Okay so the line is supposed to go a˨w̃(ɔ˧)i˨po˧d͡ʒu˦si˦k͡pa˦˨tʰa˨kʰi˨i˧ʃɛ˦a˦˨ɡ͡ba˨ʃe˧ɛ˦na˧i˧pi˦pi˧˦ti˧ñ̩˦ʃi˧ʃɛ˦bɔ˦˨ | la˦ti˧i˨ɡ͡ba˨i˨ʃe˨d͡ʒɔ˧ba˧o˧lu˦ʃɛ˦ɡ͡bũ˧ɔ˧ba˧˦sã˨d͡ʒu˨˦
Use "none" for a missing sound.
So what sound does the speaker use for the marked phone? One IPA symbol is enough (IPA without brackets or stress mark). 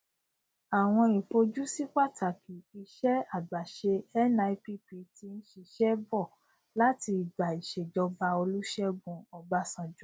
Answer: ɔ̃˧